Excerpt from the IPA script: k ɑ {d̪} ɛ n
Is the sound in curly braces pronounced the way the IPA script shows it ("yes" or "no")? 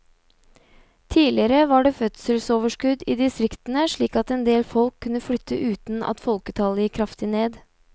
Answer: no